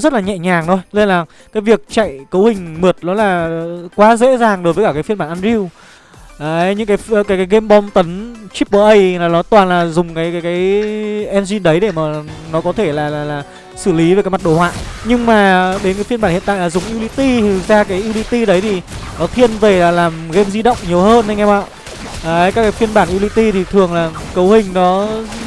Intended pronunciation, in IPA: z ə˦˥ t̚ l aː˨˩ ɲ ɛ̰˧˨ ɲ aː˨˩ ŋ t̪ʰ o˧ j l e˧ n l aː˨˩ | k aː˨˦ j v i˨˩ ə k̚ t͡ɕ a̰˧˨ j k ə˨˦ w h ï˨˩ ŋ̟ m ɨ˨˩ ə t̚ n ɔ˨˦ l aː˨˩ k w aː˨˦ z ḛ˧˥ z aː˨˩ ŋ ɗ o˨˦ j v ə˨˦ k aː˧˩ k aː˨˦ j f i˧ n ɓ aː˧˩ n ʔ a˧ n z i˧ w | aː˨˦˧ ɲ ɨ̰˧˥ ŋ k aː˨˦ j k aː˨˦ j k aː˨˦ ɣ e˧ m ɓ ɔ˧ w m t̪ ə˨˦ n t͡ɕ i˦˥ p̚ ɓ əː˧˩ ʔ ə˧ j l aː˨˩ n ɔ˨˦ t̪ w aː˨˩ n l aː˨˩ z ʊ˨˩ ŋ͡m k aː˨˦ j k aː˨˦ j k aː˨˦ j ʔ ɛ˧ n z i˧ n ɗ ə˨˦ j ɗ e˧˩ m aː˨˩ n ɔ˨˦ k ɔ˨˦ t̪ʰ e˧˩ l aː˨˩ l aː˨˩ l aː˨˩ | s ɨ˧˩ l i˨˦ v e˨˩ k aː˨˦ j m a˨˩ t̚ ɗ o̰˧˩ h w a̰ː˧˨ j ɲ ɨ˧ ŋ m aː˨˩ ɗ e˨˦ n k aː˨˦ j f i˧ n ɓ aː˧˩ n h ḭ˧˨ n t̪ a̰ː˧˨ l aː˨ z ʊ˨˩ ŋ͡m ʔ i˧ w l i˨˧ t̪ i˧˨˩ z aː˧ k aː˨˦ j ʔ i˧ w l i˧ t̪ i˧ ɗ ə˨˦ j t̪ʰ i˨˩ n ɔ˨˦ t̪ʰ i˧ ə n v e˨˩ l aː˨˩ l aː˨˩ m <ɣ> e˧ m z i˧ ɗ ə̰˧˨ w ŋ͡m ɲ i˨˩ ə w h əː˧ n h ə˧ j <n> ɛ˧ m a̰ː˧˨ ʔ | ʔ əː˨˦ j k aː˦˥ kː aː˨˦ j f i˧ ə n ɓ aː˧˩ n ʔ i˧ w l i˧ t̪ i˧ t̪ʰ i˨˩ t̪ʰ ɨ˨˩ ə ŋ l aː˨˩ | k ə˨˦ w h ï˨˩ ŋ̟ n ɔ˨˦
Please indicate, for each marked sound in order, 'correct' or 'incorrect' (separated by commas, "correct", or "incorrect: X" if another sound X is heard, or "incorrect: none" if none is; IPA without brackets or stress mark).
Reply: correct, incorrect: ŋ